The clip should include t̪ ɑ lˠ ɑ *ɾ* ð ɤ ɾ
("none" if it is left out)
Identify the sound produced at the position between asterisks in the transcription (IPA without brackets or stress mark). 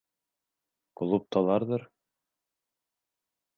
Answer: ɾ